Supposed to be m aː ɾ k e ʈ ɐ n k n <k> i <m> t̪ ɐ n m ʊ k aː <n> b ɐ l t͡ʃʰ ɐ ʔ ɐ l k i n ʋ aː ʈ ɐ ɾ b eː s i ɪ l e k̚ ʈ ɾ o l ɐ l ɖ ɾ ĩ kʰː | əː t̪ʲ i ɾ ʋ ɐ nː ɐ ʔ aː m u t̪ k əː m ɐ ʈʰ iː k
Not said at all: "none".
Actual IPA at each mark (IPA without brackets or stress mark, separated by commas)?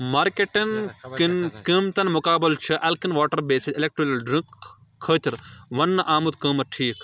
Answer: k, m, none